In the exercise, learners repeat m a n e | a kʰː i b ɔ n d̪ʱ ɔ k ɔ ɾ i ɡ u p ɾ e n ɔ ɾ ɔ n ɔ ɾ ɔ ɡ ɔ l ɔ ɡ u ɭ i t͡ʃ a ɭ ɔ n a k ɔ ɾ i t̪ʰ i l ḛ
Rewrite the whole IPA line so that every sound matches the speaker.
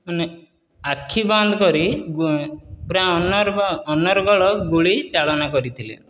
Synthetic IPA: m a n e | a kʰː i b ɔ n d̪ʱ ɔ k ɔ ɾ i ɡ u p ɾ a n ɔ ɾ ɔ n ɔ ɾ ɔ ɡ ɔ ɭ ɔ ɡ u ɭ i t͡ʃ a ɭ ɔ n a k ɔ ɾ i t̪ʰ i l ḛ